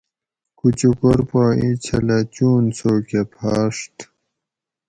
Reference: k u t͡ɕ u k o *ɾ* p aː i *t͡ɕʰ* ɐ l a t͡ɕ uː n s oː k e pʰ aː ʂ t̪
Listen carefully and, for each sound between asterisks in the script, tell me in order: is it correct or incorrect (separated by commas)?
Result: correct, correct